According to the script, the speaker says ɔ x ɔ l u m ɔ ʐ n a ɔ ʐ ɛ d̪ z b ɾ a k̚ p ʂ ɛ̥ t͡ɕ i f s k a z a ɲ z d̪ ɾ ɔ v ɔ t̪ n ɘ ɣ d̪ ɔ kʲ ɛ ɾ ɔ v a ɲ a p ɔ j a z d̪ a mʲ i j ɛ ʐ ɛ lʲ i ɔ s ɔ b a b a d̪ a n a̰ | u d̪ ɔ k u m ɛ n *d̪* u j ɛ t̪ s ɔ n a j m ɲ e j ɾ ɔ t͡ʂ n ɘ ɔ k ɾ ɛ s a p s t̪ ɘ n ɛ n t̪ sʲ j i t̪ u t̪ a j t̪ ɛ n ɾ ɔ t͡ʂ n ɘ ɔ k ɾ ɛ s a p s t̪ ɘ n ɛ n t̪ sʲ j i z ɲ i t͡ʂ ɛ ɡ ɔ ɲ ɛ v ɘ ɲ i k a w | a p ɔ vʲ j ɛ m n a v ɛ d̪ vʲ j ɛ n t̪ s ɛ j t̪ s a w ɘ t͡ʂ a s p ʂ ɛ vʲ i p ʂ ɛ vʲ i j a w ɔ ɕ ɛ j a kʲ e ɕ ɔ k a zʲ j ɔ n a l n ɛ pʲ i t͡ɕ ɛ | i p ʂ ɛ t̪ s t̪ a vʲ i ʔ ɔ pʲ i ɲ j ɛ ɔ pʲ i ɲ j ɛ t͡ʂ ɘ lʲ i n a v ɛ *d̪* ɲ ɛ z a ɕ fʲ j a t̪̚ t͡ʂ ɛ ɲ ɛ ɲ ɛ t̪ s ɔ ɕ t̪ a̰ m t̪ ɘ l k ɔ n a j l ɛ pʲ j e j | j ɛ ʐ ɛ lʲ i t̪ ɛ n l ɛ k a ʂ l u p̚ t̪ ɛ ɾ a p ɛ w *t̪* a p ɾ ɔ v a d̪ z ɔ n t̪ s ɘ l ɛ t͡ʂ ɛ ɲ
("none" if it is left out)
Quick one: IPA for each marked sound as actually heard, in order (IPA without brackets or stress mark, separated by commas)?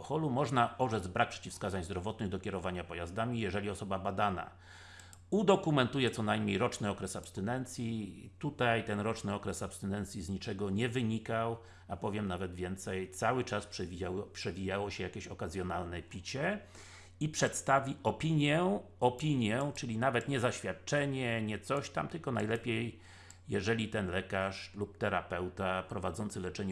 t̪, t̪, t̪